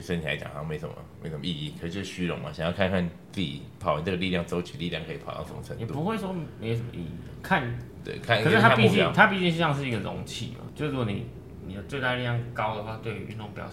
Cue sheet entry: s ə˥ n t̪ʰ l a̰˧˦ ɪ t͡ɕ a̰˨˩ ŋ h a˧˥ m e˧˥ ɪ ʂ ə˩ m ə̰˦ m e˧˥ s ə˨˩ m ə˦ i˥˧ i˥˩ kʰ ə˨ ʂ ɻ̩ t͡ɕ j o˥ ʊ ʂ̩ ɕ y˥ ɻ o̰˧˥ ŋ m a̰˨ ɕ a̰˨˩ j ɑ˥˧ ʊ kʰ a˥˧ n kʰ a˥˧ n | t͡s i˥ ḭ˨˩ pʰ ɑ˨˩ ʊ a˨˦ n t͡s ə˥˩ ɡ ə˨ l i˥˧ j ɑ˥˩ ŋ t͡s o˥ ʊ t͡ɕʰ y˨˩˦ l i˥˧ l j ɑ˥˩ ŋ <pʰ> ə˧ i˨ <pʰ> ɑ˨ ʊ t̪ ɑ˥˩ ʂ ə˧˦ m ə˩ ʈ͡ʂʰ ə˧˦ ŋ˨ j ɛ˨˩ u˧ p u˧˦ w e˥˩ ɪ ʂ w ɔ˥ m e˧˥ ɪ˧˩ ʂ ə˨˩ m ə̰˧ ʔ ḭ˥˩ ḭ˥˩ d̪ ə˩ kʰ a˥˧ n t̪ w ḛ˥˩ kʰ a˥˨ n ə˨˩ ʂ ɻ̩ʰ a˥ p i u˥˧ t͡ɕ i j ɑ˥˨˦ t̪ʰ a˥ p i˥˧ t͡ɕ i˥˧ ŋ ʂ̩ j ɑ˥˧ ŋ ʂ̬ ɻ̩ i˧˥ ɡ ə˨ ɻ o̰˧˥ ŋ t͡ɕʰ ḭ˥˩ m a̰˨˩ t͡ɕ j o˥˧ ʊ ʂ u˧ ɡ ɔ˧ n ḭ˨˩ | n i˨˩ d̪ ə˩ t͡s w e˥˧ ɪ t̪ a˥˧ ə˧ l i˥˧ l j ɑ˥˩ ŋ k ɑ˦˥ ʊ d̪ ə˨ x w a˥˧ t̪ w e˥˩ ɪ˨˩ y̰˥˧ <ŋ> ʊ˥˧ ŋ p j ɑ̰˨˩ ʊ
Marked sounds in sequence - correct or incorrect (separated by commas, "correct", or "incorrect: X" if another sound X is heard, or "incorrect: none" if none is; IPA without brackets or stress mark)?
incorrect: kʰ, correct, incorrect: n